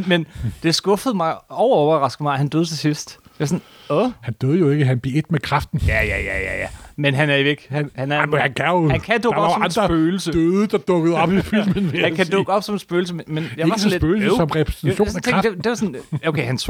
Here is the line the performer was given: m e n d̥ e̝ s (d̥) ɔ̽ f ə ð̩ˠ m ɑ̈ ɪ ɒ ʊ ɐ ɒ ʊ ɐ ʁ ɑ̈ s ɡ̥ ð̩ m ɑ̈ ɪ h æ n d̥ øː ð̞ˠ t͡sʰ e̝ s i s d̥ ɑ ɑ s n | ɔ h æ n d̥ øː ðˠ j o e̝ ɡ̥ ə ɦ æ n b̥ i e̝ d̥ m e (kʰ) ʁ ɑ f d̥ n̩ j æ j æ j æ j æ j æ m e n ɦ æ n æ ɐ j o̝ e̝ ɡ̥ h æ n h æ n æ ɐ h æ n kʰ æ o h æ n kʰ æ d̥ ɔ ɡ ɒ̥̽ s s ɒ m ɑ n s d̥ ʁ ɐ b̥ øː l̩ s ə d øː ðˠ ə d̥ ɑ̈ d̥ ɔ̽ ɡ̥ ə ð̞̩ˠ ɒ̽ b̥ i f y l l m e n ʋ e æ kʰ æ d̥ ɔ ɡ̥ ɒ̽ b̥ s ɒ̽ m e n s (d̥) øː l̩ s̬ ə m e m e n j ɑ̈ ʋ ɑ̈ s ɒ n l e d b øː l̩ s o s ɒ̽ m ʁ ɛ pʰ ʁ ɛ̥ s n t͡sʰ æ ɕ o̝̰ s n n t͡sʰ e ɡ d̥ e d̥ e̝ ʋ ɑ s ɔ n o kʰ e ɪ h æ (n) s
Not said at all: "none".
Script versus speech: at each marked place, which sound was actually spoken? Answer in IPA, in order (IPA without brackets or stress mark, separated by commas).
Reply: ɡ̥, kʰ, b̥, n